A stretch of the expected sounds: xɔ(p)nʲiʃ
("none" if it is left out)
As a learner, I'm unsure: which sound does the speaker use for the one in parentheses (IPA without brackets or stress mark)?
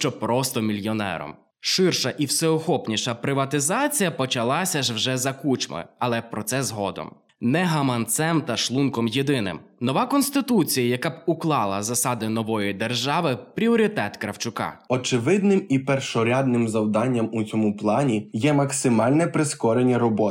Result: p